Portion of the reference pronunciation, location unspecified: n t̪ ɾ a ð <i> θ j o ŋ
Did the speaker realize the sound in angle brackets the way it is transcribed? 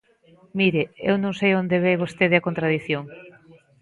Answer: yes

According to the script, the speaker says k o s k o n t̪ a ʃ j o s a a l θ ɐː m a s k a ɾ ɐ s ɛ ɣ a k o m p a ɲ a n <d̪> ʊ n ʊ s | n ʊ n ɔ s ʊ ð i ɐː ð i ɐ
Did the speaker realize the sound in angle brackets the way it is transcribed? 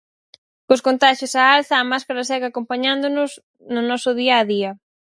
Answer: yes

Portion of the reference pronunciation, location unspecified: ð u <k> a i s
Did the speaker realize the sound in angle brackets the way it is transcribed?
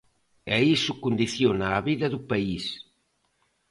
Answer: no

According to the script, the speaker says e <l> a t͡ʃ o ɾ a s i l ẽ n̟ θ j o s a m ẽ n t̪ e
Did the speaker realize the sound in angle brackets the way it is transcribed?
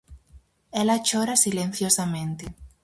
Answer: yes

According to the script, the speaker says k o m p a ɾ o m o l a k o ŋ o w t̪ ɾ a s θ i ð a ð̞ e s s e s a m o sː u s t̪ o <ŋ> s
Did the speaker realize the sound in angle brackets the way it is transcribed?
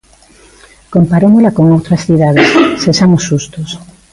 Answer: no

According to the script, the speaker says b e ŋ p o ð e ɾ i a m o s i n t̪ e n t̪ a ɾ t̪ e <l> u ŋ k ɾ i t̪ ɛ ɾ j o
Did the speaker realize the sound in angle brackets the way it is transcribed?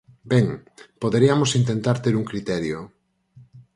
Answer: no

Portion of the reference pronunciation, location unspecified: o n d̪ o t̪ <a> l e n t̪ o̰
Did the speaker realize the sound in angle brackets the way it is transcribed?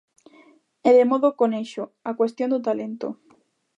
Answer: yes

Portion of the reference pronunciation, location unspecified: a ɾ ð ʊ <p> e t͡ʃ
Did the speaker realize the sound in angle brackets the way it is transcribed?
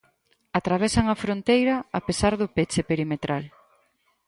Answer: yes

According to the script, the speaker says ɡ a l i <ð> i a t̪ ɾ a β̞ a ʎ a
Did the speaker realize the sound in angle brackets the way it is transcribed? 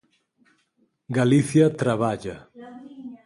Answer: no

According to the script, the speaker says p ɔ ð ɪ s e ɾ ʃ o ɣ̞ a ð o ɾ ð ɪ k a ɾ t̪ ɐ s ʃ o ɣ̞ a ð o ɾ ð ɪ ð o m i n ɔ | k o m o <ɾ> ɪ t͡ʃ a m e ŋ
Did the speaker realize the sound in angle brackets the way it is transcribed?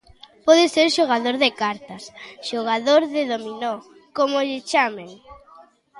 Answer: no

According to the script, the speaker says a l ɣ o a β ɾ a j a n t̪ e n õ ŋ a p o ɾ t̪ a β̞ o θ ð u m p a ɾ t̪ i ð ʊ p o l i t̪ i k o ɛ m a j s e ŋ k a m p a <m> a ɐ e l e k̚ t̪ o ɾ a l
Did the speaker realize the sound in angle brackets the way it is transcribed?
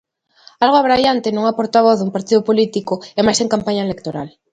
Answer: no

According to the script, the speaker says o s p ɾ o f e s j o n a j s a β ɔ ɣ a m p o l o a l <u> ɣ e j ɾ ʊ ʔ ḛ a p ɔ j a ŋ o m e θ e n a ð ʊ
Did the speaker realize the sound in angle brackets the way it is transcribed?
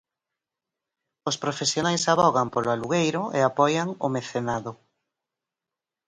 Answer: yes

